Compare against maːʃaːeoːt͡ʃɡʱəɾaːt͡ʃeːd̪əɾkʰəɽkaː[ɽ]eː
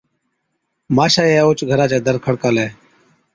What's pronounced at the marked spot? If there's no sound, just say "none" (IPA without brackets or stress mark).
l